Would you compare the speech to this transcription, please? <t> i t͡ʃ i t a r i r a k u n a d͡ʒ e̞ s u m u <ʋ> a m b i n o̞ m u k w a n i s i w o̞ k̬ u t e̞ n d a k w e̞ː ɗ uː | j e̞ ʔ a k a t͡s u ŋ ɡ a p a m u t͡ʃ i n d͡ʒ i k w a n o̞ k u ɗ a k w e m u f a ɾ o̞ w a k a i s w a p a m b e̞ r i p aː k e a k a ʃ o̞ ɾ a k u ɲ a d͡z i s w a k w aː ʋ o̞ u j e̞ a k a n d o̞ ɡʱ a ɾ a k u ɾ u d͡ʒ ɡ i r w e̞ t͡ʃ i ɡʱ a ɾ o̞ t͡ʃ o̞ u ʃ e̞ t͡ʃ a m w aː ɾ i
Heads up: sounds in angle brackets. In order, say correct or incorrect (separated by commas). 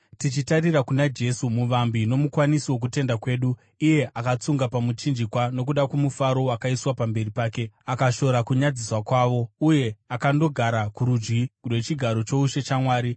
correct, correct